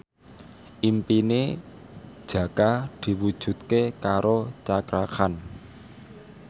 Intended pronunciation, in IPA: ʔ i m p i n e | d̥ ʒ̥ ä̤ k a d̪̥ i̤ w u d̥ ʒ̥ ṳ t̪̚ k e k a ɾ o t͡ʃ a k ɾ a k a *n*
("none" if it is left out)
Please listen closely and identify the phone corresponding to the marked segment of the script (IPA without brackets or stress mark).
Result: n